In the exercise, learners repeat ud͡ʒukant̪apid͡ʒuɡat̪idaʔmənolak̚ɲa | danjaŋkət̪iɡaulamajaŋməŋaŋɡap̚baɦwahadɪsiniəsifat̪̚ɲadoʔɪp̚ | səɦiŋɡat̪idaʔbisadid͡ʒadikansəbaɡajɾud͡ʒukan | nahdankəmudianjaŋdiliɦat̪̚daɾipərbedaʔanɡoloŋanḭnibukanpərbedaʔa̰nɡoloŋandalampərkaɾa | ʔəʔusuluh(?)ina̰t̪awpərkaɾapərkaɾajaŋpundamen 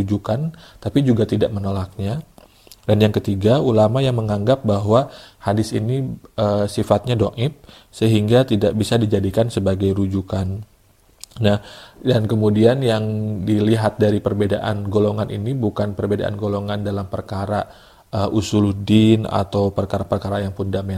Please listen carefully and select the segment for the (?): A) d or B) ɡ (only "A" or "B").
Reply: A